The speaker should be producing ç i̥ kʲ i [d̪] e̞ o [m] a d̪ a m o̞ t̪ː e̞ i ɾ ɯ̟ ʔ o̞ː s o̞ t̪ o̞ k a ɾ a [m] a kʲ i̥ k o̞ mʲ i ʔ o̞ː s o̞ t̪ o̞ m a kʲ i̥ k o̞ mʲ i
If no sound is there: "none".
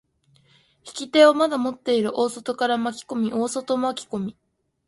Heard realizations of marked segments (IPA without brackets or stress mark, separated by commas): t̪, m, m